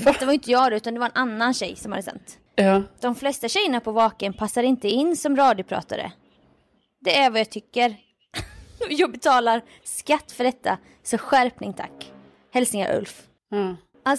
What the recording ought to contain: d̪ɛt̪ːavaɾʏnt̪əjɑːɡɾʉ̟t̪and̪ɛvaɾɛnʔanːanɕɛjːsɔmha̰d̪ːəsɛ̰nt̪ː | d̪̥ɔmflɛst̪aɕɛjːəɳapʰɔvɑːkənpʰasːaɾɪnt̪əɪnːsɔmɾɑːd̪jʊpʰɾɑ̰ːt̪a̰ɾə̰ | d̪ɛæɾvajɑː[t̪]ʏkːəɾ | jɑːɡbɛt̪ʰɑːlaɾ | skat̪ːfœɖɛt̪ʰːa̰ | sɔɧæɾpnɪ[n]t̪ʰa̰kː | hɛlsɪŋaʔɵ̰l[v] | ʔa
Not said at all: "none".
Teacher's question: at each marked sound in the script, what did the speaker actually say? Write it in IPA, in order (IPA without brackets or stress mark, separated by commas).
t̪ʰ, ŋ, f